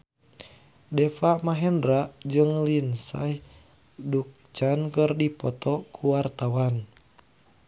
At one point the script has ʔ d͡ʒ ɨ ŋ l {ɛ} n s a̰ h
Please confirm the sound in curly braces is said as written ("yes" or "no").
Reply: no